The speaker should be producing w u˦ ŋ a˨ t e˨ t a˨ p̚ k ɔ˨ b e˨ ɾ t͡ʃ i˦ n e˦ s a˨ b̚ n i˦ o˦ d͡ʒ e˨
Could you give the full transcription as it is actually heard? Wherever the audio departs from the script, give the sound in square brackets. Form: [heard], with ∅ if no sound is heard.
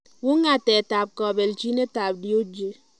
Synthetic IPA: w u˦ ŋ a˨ t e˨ t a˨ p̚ k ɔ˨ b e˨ [l] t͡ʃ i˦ n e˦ [t] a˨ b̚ [d] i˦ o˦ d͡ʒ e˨